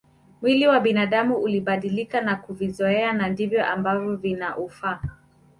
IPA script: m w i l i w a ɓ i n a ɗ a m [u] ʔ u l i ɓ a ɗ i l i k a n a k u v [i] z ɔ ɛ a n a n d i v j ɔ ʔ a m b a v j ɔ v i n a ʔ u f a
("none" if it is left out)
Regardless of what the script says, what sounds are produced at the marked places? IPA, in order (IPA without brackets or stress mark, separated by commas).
u, i